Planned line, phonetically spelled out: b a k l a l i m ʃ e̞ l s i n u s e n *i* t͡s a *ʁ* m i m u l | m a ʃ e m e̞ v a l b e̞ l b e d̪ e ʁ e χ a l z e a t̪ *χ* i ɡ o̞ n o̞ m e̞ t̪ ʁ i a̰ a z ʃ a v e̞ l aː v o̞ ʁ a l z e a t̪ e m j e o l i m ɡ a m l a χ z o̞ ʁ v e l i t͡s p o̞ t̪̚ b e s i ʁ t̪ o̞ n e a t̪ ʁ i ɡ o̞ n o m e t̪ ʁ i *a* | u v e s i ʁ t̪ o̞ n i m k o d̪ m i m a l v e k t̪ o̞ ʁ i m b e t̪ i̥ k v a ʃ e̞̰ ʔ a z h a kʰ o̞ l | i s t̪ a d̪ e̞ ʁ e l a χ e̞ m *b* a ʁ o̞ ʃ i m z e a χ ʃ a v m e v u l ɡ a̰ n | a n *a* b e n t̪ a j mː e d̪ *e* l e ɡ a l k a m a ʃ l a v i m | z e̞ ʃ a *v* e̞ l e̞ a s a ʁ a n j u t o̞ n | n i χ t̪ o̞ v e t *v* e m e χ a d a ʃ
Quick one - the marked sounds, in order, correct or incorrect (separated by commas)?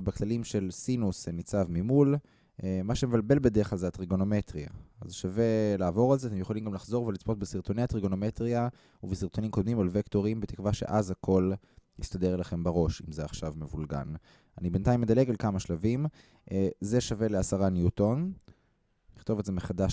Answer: correct, incorrect, incorrect, correct, correct, incorrect, incorrect, correct, incorrect